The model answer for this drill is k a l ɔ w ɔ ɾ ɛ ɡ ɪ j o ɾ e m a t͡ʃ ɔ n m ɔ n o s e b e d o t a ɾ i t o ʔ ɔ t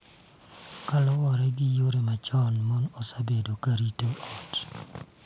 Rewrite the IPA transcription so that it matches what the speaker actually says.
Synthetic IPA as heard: k a l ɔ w ɔ ɾ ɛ ɡ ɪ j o ɾ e m a t͡ʃ ɔ n m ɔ n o s a b e d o k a ɾ i t o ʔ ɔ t